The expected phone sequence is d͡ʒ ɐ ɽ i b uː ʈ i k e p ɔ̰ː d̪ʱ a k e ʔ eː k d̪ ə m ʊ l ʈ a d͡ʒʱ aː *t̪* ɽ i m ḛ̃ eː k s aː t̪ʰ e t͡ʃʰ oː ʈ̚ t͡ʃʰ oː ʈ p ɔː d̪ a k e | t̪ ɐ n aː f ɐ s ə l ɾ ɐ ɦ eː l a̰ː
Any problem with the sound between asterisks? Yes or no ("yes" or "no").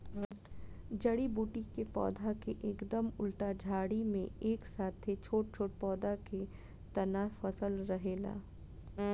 yes